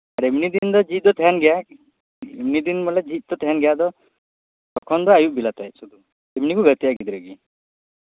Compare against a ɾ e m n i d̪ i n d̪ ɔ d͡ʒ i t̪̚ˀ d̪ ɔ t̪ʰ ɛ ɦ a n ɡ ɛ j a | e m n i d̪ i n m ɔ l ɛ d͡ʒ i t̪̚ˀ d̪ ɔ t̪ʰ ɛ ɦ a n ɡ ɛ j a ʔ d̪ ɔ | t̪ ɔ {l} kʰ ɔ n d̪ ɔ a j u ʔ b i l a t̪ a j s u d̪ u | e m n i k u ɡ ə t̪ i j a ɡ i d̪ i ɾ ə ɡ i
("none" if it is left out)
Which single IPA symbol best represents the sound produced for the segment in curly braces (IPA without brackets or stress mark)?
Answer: none